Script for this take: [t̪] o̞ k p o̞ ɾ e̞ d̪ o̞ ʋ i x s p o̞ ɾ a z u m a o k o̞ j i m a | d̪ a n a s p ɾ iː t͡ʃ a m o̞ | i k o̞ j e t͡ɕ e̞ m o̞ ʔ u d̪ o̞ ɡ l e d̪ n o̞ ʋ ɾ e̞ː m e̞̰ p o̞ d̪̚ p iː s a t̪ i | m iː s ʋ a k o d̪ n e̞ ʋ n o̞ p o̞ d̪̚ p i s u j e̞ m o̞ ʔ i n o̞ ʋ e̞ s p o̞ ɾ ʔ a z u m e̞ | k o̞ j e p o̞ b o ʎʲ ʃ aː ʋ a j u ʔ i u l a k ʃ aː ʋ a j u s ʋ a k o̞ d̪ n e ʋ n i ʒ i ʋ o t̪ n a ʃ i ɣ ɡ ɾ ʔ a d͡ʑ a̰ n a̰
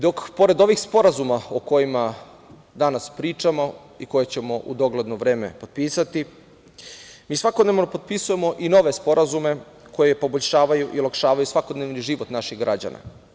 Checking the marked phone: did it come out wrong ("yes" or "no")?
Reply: yes